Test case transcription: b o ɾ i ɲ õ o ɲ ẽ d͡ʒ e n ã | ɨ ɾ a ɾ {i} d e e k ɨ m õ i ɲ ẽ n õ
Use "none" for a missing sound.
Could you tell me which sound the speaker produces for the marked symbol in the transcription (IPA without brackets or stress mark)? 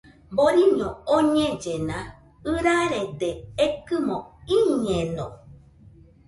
e